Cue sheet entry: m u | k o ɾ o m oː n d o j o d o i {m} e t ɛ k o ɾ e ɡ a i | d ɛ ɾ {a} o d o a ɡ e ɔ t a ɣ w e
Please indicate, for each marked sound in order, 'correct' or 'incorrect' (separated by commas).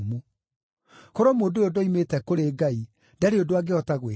correct, incorrect